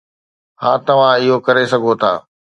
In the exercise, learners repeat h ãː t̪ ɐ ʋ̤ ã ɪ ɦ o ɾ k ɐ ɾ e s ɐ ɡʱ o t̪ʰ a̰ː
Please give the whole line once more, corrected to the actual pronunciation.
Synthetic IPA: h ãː t̪ ɐ ʋ̤ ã ɪ ɦ o k ɐ ɾ e s ɐ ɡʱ o t̪ʰ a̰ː